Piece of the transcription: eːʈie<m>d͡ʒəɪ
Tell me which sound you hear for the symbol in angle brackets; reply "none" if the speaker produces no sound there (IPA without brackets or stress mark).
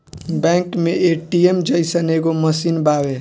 m